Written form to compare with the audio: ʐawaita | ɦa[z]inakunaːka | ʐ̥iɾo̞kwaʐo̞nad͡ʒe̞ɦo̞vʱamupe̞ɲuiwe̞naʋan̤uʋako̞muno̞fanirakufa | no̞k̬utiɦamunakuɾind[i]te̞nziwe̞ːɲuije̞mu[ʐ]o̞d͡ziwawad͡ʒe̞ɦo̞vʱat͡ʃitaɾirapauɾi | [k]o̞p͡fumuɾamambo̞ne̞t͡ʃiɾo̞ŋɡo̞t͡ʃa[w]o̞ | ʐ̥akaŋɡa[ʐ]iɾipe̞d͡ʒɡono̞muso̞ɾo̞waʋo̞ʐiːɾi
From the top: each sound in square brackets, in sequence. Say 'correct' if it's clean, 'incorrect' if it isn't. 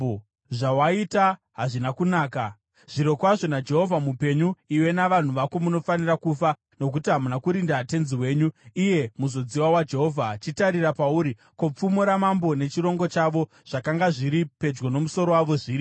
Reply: incorrect, incorrect, incorrect, correct, incorrect, correct

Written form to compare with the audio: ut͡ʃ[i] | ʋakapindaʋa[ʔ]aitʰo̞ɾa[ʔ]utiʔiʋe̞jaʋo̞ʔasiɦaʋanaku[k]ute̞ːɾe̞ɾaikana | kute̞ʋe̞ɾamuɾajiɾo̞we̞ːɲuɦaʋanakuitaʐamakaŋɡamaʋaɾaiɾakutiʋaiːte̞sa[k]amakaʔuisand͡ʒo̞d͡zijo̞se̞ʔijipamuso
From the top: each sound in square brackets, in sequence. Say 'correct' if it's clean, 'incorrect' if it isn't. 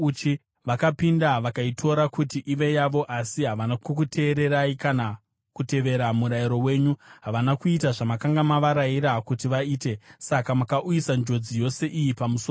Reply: correct, incorrect, incorrect, correct, correct

